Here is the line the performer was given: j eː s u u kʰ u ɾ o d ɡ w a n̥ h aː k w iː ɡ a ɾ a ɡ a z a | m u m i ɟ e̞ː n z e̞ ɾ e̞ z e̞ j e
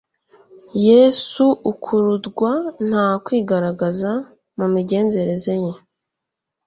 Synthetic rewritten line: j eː s u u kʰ u ɾ u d ɡ w a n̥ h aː k w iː ɡ a ɾ a ɡ a z a | m u m i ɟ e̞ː n z e̞ ɾ e̞ z e̞ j e